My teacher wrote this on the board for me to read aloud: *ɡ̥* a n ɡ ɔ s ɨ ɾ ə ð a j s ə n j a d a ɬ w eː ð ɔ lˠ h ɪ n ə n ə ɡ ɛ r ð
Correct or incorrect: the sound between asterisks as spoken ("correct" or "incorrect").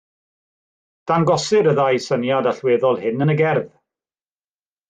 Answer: incorrect